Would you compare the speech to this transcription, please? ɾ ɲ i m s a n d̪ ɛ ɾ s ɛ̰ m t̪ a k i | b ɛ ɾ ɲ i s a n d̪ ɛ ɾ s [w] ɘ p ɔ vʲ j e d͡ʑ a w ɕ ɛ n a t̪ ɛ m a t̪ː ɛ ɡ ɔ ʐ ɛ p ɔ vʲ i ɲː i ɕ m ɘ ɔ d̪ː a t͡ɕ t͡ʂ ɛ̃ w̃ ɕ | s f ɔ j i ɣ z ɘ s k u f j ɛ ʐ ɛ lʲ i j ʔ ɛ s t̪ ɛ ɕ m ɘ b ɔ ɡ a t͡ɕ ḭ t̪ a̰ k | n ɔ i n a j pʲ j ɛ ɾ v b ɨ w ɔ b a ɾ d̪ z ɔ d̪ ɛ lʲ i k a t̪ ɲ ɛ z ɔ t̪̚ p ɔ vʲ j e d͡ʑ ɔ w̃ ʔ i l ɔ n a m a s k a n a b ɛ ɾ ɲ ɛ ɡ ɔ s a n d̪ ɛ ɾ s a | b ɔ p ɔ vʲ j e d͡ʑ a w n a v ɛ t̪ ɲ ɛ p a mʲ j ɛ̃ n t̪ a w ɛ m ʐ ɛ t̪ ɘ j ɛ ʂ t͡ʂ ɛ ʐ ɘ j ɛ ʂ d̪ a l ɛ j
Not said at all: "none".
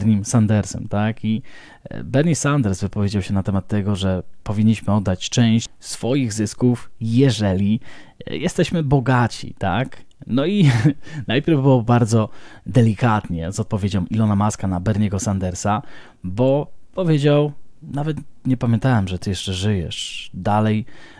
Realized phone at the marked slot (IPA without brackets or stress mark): v